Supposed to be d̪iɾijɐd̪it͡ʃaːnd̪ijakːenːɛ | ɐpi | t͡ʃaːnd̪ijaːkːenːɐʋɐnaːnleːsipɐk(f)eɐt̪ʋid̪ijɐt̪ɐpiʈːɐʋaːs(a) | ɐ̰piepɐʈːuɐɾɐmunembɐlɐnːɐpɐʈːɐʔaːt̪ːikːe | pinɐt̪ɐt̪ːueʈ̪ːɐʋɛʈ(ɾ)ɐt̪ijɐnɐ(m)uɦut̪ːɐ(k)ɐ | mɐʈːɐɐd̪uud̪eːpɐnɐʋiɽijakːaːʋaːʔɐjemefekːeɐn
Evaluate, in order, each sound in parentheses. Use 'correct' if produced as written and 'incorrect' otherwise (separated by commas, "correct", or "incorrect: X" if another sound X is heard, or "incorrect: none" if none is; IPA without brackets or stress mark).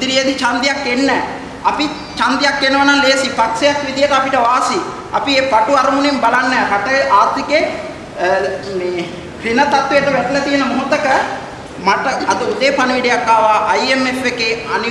incorrect: s, incorrect: i, incorrect: l, correct, correct